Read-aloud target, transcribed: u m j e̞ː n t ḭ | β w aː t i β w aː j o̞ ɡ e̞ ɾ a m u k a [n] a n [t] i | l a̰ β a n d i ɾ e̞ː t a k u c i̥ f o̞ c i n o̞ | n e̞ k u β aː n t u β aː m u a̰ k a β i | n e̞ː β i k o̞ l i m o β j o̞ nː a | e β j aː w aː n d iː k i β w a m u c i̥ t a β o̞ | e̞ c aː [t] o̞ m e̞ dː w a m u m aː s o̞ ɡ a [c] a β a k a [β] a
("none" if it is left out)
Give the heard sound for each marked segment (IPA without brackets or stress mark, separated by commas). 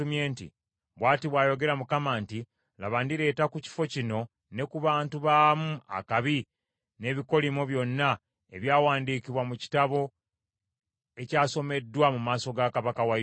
m, t, s, k, w